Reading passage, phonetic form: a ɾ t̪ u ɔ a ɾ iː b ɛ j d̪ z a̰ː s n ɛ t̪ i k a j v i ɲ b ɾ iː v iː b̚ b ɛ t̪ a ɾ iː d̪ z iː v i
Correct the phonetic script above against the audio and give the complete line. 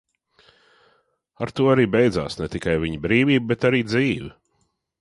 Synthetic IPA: a ɾ t̪ u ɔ a ɾ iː b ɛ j d̪ z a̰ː s n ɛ t̪ i k a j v i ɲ b ɾ iː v iː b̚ b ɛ t̪ a ɾ iː d̪ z iː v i